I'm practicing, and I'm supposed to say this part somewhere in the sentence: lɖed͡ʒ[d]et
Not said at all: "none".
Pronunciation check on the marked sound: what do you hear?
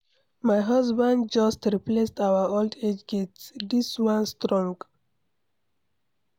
ɡ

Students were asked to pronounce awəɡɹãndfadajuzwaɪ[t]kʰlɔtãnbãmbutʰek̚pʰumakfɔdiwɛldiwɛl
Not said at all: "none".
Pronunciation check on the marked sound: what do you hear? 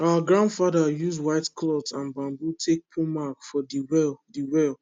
t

